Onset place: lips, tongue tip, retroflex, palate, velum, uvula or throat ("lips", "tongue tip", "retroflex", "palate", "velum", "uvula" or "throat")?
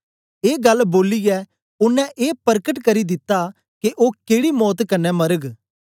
velum